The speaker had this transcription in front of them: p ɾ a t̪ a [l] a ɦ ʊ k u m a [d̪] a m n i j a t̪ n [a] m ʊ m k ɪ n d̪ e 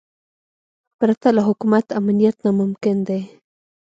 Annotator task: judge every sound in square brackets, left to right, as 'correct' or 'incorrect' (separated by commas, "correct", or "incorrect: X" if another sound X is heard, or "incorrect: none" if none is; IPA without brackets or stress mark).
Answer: correct, incorrect: t̪, correct